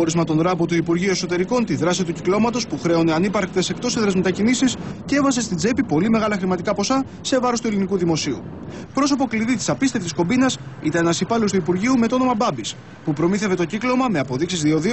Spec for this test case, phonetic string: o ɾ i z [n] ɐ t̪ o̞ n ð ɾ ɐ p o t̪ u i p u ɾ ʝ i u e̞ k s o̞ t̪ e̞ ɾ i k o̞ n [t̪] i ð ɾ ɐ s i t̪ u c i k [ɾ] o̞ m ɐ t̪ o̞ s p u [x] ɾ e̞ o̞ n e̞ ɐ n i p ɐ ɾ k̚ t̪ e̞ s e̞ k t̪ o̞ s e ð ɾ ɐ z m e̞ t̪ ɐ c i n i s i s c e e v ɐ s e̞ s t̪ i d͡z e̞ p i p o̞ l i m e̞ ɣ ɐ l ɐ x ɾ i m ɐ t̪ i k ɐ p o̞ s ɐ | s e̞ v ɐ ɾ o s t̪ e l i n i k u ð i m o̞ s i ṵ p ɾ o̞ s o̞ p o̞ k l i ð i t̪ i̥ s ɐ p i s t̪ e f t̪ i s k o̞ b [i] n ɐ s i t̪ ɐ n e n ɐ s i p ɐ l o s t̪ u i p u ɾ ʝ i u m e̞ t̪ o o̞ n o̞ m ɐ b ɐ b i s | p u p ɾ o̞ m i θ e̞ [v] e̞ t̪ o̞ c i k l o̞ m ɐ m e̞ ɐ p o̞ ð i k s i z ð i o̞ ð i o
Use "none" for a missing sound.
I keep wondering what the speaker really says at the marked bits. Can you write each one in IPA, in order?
m, t̪, l, x, i, v

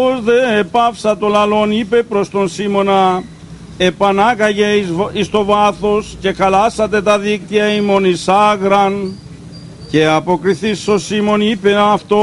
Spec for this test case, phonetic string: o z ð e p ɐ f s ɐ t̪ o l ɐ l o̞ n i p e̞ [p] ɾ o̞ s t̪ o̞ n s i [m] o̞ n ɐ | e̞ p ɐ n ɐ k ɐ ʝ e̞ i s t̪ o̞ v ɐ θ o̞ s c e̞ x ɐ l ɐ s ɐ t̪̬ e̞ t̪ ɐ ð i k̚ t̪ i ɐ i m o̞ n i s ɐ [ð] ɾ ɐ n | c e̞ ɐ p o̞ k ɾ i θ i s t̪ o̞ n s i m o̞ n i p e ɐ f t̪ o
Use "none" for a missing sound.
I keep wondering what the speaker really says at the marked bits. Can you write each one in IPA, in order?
p, m, ɣ

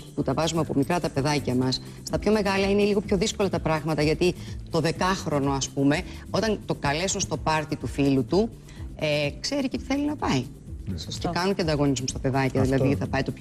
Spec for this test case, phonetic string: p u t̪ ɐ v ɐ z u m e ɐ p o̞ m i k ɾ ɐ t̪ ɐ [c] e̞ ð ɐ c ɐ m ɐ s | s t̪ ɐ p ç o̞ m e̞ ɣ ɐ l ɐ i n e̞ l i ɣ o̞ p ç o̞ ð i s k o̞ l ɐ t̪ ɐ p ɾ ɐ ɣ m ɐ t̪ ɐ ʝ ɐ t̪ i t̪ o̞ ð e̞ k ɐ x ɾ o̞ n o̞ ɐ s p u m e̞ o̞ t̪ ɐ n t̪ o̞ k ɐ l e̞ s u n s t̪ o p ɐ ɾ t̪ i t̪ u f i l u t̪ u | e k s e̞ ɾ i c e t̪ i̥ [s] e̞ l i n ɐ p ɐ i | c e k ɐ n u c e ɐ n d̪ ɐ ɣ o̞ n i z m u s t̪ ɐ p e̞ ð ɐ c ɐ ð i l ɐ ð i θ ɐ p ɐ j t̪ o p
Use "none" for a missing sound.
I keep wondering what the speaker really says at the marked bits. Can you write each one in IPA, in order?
p, θ

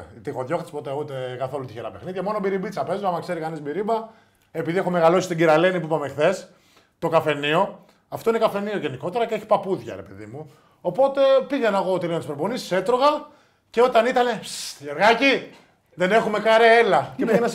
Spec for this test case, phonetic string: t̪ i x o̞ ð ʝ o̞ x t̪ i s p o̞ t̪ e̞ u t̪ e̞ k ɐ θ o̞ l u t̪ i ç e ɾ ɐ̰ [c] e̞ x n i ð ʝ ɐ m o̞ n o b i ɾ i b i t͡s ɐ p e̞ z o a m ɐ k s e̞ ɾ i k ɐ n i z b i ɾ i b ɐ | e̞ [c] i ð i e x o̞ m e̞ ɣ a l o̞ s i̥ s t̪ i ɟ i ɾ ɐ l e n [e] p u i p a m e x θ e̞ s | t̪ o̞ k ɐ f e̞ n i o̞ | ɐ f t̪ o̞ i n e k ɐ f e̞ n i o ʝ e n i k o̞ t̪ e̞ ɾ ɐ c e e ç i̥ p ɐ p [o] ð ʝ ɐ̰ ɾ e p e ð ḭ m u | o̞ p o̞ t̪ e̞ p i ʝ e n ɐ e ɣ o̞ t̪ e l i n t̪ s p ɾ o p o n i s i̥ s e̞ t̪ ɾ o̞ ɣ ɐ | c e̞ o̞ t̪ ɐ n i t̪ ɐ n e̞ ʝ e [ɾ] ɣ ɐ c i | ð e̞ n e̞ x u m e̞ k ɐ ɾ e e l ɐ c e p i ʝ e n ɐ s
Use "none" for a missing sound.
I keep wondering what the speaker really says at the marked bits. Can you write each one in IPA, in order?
p, p, i, u, ɾ

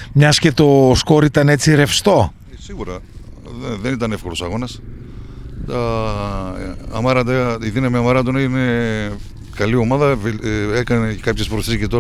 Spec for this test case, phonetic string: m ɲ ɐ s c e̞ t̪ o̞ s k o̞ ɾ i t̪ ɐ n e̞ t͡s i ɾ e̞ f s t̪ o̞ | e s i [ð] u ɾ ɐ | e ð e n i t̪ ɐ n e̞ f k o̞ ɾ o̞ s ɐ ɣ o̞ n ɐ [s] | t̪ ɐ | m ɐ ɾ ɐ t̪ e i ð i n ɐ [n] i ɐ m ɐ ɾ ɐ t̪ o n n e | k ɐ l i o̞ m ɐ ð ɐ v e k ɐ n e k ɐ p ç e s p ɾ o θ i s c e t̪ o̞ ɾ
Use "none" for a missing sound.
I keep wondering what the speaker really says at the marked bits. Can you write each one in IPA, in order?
ɣ, s, m

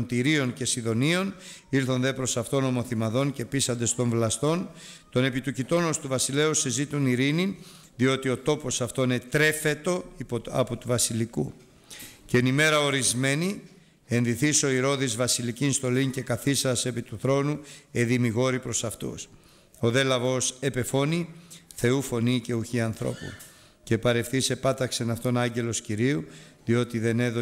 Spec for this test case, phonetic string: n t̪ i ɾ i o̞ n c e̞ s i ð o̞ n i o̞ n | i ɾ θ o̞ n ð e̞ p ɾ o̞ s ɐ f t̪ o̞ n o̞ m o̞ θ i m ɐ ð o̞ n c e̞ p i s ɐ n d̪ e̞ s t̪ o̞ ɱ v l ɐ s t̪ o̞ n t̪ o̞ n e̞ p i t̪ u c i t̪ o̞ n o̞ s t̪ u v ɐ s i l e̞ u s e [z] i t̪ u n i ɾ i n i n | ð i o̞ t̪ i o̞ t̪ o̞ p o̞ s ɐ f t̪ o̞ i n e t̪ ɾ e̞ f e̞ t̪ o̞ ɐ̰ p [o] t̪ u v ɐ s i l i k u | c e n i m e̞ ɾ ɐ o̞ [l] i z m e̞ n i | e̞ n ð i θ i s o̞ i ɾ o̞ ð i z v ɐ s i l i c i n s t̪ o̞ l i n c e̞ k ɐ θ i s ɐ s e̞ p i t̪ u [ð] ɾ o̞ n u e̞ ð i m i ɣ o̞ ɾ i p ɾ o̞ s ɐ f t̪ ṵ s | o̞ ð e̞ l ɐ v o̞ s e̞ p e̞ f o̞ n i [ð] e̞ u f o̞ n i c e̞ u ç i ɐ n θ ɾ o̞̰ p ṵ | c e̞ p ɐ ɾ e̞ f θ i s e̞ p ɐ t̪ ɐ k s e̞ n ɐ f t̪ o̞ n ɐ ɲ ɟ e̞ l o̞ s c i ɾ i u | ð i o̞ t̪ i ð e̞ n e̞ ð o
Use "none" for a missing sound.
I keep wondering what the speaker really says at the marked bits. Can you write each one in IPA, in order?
z, o, ɾ, θ, θ

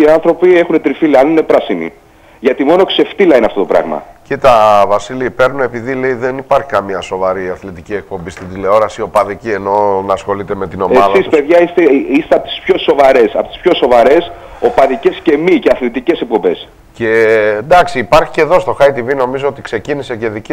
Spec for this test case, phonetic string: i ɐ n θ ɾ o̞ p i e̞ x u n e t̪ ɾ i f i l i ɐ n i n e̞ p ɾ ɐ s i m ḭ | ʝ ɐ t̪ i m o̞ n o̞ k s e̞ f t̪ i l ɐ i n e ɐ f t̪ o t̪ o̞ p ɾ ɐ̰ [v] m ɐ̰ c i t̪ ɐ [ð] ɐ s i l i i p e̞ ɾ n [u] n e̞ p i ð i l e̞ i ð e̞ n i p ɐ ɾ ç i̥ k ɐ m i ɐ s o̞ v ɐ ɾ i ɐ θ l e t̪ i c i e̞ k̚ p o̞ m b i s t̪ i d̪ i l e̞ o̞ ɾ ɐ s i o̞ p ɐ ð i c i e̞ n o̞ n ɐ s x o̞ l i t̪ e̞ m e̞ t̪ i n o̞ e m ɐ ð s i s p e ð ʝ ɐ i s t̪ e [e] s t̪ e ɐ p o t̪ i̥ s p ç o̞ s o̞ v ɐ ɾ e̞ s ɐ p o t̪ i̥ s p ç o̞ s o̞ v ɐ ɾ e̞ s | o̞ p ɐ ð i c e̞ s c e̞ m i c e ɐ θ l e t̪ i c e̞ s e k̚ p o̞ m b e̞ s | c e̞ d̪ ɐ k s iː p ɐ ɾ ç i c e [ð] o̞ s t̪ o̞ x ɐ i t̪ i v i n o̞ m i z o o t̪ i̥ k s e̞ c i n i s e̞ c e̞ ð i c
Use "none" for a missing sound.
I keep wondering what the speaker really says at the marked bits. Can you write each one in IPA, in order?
ɣ, v, u, i, ð

